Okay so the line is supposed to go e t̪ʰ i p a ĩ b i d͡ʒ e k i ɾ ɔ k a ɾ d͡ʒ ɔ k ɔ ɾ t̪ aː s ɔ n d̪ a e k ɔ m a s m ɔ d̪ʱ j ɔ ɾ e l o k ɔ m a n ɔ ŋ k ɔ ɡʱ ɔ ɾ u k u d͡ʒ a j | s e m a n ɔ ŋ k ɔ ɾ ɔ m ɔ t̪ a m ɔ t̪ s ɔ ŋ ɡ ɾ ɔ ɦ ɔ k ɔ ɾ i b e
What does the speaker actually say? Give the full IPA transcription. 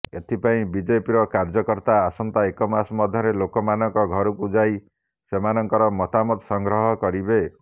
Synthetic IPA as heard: e t̪ʰ i p a ĩ b i d͡ʒ e p i ɾ ɔ k a ɾ d͡ʒ ɔ k ɔ ɾ t̪ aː s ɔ n t̪ a e k ɔ m a s m ɔ d̪ʱ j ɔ ɾ e l o k ɔ m a n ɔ ŋ k ɔ ɡʱ ɔ ɾ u k u d͡ʒ a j | s e m a n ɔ ŋ k ɔ ɾ ɔ m ɔ t̪ a m ɔ t̪ s ɔ ŋ ɡ ɾ ɔ ɦ ɔ k ɔ ɾ i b e